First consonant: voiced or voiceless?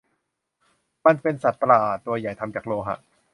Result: voiced